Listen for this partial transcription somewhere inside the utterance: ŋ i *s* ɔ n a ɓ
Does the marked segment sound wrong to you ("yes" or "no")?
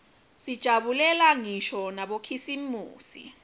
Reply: yes